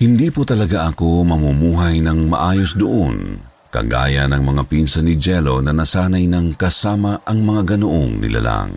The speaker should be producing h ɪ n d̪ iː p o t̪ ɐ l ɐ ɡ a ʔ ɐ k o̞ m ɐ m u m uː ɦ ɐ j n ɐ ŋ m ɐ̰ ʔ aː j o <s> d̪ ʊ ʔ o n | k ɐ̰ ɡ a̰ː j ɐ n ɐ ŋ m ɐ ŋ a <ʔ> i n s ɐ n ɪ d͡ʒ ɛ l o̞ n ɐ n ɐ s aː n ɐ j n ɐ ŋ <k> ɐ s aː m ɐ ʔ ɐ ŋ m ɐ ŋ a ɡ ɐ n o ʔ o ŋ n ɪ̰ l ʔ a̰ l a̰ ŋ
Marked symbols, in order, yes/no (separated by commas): yes, no, yes